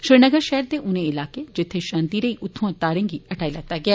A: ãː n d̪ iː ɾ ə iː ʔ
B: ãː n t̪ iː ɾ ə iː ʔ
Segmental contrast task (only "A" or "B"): B